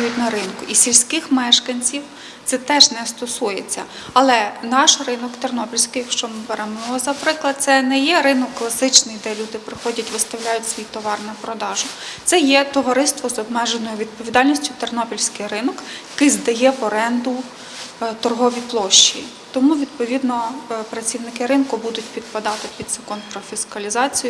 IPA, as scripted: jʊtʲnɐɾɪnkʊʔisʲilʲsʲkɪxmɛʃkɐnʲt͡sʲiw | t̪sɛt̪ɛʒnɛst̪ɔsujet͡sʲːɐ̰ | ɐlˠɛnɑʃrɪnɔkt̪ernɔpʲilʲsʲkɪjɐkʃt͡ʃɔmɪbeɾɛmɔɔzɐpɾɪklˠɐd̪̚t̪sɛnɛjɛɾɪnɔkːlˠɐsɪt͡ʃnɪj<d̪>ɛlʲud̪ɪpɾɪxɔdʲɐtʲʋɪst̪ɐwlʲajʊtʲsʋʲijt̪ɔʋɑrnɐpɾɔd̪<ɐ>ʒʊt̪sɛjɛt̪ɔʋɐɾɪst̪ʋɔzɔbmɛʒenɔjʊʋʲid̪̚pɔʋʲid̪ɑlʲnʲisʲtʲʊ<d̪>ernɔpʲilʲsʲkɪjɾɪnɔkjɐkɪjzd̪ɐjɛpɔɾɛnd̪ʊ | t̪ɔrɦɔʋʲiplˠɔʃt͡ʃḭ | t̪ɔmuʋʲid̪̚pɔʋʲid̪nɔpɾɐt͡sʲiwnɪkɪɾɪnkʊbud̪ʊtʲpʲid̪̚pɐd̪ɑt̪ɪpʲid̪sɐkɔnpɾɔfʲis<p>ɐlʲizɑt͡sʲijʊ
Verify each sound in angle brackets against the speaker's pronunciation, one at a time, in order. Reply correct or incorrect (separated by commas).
correct, incorrect, incorrect, incorrect